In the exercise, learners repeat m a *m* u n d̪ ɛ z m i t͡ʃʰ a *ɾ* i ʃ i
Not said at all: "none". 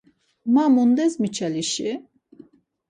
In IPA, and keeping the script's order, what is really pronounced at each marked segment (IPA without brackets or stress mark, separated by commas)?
m, l